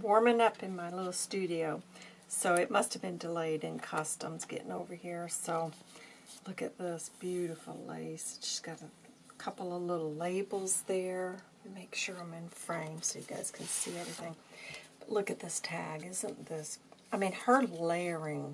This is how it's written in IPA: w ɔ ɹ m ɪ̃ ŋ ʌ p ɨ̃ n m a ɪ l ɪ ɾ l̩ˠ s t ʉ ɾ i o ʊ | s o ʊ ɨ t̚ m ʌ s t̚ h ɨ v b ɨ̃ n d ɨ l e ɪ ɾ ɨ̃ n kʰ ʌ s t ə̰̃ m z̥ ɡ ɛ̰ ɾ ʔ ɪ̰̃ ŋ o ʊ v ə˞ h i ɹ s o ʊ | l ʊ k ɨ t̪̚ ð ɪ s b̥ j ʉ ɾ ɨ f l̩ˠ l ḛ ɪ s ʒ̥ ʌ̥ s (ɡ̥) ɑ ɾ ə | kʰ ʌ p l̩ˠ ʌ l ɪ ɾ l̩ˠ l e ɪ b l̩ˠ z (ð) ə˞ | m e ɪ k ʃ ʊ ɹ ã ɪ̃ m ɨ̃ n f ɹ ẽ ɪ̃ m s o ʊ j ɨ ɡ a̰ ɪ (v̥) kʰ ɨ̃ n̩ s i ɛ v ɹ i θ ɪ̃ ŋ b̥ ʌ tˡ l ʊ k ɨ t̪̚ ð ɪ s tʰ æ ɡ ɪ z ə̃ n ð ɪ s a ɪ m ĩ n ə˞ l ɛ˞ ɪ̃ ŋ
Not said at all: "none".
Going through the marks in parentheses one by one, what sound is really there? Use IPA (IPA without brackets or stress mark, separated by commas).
ɡ̥, ð, z̥